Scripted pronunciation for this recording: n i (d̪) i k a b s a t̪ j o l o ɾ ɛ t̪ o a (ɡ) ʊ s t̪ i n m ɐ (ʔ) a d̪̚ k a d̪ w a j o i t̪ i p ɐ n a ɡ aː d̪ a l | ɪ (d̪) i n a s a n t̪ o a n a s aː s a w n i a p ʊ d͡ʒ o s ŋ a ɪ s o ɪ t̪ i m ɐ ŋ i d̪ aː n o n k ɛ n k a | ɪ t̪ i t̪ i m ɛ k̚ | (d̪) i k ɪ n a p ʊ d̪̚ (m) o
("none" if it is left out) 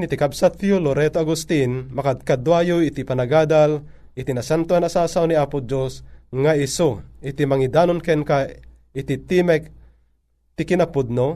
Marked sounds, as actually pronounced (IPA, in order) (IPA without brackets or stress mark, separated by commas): t̪, ɡ, k, t̪, t̪, n